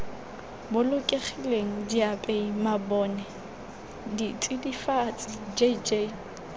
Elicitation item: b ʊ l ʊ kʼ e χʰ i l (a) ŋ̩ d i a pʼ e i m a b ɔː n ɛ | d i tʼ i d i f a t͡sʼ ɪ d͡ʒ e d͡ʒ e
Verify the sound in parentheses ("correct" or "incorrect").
incorrect